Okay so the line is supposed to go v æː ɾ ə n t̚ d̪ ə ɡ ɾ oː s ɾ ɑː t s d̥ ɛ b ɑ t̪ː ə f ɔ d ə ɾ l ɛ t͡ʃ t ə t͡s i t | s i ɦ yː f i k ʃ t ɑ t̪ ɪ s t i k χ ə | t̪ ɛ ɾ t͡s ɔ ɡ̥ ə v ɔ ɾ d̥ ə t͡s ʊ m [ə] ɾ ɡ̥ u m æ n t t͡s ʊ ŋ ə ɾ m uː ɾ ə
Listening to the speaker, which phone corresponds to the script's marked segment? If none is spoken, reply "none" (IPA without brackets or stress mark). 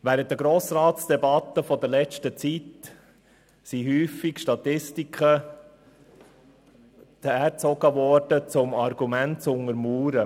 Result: ɑ